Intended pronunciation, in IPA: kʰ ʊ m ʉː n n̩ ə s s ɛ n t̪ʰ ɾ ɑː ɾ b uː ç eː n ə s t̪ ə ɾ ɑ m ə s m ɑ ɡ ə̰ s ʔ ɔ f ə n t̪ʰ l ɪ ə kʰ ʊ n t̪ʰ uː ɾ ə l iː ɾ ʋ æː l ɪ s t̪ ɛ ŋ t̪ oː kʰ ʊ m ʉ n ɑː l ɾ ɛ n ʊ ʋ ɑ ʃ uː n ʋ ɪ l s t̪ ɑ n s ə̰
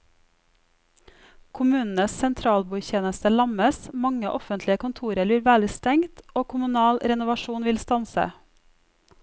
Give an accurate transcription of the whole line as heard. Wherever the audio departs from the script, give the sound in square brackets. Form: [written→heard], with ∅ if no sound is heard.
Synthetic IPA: kʰ ʊ m ʉː n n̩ ə s s ɛ n t̪ʰ ɾ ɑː [ɾ→l] b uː ç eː n ə s t̪ ə [ɾ→l] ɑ m ə s m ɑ [ɡ→ŋ] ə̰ [s→∅] ʔ ɔ f ə n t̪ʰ l ɪ ə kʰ ʊ n t̪ʰ uː ɾ ə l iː ɾ ʋ æː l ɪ s t̪ ɛ ŋ t̪ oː kʰ ʊ m ʉ n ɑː l ɾ ɛ n ʊ ʋ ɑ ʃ uː n ʋ ɪ l s t̪ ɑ n s ə̰